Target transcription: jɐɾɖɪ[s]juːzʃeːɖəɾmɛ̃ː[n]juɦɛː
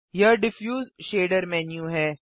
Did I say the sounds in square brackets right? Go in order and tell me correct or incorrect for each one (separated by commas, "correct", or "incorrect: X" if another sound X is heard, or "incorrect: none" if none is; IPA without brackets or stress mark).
incorrect: f, correct